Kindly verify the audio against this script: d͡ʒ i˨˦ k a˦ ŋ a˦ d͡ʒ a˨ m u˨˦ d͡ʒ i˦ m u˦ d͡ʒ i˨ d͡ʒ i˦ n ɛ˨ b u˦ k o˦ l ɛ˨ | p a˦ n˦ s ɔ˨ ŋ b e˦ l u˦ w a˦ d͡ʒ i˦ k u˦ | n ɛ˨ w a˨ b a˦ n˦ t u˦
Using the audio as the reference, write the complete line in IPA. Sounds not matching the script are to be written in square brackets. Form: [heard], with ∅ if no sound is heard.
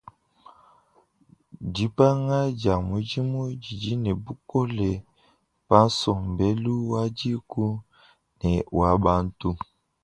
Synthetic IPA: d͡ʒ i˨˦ [p] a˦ ŋ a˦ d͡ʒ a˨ m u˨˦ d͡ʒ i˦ m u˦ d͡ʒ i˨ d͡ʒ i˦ n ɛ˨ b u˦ k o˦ l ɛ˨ | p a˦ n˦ s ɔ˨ [m] b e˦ l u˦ w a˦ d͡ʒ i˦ k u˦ | n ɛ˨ w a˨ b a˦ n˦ t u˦